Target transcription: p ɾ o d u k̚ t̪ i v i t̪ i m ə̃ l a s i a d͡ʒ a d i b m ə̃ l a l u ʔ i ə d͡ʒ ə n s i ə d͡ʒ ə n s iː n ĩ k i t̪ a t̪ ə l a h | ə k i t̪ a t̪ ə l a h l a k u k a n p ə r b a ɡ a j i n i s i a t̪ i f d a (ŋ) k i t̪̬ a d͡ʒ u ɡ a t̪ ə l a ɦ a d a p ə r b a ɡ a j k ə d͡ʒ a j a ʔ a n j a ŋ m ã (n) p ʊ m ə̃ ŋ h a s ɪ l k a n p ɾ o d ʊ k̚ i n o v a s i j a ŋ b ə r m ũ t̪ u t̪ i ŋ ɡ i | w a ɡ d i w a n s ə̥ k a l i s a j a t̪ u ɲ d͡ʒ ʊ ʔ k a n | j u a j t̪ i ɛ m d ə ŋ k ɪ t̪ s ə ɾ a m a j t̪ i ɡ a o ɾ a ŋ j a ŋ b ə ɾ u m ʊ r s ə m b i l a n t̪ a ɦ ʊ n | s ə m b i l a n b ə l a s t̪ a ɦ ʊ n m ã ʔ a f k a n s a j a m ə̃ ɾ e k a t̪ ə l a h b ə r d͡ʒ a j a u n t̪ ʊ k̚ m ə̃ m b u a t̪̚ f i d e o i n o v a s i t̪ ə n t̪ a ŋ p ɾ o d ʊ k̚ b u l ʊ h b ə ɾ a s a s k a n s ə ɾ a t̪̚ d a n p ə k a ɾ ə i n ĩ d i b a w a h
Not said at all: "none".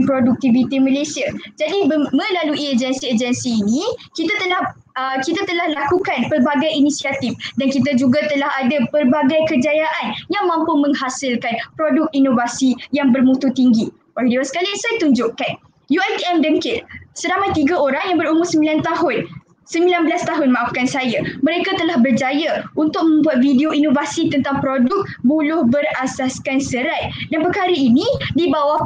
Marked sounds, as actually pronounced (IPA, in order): n, m

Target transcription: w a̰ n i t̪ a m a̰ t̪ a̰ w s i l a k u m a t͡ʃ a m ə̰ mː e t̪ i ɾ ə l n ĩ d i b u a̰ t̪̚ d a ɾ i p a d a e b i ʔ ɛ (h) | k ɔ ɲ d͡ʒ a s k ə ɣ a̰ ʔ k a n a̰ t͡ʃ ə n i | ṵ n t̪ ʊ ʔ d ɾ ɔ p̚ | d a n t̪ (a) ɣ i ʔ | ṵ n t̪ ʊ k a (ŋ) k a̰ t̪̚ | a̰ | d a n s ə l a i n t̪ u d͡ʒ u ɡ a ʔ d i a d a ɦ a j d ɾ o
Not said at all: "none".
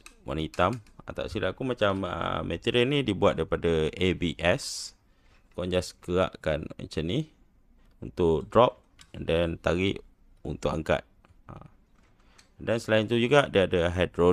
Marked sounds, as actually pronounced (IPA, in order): s, a, ŋ

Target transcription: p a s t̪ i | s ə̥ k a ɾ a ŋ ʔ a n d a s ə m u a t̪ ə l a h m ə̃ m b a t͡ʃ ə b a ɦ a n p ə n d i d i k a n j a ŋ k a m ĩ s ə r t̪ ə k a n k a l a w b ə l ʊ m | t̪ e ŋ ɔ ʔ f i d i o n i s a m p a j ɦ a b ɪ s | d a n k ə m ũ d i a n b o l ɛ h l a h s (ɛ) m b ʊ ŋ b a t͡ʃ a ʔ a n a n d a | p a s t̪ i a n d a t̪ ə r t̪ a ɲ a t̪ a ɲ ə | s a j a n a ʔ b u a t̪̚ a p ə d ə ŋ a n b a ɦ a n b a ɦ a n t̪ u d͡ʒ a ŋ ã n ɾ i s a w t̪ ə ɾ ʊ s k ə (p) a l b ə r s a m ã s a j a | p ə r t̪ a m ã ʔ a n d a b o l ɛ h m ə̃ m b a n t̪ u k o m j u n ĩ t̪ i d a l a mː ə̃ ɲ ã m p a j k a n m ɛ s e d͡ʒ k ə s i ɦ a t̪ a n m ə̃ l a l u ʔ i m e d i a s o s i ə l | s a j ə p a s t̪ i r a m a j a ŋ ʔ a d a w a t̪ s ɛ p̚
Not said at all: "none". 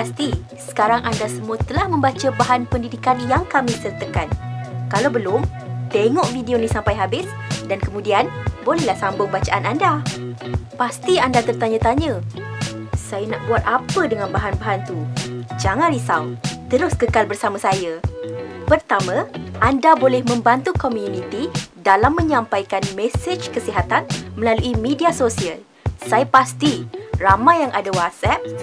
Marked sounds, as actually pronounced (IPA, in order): a, k

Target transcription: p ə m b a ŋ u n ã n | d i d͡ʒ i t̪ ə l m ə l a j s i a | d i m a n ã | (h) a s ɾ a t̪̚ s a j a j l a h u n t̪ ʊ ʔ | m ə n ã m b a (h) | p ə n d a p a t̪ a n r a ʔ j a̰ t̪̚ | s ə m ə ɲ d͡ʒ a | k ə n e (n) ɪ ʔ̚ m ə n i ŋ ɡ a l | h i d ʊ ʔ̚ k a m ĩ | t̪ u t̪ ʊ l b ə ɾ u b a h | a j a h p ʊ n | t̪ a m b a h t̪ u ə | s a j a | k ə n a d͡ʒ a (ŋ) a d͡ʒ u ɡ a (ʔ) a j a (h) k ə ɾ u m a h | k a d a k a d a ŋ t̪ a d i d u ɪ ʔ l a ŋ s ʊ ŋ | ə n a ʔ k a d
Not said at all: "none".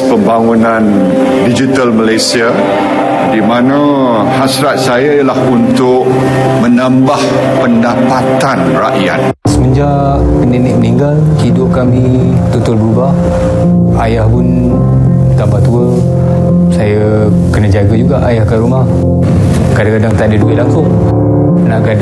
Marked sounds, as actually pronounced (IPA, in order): h, h, n, ɡ, ʔ, h

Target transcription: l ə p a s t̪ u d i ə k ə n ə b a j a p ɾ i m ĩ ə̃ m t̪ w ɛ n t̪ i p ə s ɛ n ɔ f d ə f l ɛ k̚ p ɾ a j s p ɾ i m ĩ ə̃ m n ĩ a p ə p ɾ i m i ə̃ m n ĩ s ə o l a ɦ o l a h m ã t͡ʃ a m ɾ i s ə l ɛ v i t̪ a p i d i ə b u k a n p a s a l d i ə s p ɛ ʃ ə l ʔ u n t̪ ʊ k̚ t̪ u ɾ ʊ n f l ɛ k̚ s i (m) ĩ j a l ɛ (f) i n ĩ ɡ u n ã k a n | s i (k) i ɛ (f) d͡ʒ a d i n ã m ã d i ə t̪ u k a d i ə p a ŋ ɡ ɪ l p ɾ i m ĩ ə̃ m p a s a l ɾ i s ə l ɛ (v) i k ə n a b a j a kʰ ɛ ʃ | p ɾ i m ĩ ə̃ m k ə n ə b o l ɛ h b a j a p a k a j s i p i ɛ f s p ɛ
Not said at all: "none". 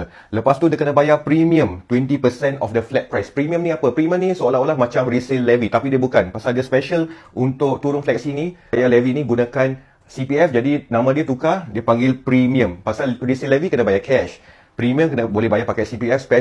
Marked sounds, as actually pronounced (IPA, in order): n, v, p, f, v

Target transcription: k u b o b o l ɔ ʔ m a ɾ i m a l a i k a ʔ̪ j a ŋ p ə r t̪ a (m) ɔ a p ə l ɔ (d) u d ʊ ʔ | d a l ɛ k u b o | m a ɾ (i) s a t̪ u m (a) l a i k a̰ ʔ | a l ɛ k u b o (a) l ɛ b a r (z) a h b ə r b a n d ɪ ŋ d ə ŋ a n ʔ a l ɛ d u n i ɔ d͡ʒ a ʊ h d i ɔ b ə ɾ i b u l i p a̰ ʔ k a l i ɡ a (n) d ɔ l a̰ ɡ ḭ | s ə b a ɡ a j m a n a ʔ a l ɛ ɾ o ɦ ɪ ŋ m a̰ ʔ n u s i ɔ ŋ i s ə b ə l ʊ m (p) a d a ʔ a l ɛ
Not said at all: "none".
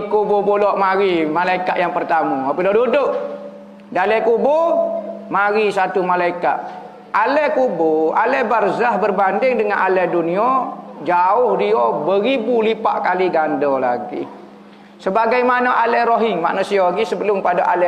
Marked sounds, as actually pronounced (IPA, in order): m, d, i, a, a, z, n, p

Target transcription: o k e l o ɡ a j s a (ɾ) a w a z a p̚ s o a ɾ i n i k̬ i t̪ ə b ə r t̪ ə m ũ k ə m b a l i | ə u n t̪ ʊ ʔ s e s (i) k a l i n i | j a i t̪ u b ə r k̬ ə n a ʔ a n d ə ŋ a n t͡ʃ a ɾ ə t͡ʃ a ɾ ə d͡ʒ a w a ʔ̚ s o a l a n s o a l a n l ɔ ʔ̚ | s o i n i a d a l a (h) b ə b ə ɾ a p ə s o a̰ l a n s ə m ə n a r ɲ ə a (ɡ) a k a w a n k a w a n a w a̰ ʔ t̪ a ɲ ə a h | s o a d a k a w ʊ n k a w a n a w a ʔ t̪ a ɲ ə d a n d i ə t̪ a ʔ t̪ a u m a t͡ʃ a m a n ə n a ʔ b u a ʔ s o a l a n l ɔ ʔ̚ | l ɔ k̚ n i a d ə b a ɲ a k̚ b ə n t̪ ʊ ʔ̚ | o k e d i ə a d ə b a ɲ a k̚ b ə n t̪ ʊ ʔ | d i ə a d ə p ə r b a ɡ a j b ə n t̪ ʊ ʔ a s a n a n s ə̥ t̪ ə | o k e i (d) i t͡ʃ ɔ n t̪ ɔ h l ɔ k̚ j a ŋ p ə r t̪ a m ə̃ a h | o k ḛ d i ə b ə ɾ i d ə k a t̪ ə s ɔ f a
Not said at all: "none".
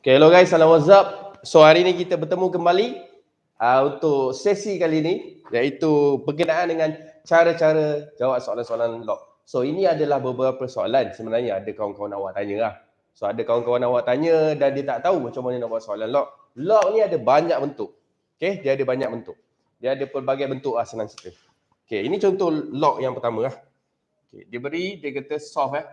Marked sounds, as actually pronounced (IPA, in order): l, i, h, d, n

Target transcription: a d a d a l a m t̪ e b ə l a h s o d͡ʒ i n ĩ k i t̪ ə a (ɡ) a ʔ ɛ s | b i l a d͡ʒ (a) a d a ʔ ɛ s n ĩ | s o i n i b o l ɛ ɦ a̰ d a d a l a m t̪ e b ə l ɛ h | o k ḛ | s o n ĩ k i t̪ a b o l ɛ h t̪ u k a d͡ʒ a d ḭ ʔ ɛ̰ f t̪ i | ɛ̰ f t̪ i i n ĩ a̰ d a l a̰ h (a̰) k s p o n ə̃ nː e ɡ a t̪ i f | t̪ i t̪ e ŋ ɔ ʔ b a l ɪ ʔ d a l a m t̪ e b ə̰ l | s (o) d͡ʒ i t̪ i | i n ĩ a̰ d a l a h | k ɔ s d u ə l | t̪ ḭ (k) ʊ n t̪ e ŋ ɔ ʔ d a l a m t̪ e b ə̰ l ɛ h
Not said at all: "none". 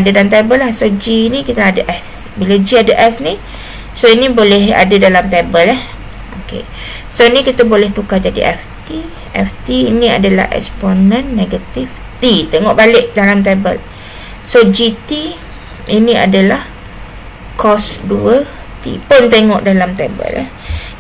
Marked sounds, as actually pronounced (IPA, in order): d, i, ɛ̰, o, p

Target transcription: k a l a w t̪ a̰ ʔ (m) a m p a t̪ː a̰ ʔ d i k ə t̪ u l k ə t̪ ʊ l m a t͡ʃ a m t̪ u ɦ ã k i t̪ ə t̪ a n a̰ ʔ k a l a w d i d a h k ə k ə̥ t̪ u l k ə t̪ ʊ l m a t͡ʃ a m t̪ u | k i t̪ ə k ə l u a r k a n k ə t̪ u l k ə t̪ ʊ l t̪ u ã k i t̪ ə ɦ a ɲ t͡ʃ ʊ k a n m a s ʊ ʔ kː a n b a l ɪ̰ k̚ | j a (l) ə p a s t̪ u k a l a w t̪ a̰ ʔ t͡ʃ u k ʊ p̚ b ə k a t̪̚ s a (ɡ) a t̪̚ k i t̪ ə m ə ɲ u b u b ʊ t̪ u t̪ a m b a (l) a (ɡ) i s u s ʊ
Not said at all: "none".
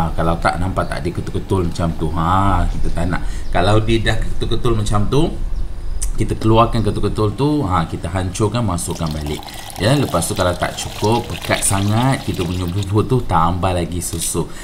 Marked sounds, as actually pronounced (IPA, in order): n, l, ŋ, l, ɡ

